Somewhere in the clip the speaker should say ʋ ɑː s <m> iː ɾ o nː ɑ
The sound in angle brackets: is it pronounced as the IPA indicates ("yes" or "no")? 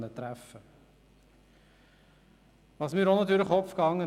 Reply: yes